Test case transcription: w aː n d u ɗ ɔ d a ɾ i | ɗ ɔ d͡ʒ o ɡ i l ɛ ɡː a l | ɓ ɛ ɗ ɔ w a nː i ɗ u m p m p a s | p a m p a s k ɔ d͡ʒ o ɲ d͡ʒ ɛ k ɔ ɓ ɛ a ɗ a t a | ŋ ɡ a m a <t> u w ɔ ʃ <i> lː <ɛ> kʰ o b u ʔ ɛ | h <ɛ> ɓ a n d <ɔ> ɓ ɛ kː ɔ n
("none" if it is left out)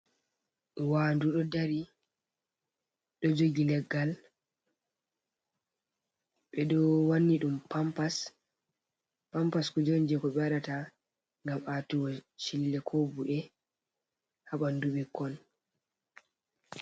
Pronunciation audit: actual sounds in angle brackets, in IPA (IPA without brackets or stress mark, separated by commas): t, i, ɛ, a, u